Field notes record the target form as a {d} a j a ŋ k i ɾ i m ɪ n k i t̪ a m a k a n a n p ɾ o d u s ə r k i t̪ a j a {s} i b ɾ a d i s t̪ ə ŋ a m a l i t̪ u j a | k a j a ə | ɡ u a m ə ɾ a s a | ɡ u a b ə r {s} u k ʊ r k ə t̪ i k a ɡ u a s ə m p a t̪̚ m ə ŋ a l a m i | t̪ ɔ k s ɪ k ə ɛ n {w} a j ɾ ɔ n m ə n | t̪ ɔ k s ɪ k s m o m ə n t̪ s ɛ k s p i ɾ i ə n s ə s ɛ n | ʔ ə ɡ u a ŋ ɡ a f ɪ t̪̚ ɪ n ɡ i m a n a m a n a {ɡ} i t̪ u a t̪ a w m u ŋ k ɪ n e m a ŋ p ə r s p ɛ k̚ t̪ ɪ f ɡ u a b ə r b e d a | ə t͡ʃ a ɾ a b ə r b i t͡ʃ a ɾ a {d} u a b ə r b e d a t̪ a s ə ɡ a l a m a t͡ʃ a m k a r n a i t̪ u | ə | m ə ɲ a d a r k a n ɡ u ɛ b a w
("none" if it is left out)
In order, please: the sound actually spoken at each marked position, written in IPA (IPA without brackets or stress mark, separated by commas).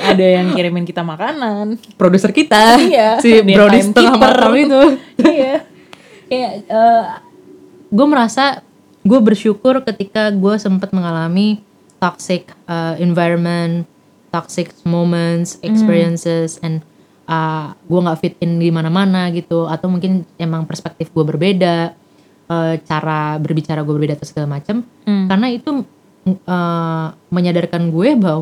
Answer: d, s, ʃ, v, ɡ, ɡ